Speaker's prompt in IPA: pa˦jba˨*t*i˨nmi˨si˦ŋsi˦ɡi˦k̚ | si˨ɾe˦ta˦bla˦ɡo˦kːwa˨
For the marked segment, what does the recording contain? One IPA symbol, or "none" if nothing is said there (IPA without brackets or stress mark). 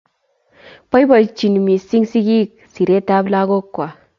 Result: t͡ʃ